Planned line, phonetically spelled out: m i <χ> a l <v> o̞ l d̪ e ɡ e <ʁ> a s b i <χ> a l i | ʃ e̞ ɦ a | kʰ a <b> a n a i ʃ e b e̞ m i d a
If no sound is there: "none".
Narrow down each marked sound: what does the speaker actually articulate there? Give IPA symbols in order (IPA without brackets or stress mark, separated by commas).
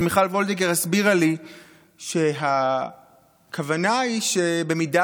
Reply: χ, v, ʁ, ʁ, v